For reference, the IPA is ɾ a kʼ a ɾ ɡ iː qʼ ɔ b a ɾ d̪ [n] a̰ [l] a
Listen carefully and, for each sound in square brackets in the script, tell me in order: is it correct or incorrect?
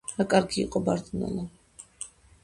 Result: correct, correct

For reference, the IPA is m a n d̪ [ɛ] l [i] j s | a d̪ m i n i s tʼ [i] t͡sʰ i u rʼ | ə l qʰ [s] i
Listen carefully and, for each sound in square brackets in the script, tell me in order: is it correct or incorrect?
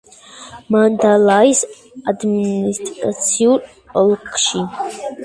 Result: incorrect, incorrect, incorrect, incorrect

